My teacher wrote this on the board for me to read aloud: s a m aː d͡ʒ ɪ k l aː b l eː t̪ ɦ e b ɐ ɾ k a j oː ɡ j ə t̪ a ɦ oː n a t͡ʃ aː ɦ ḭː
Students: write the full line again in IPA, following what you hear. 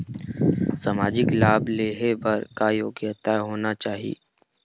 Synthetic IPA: s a m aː d͡ʒ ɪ k l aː b l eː ɦ e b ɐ ɾ k a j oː ɡ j ə t̪ a ɦ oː n a t͡ʃ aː ɦ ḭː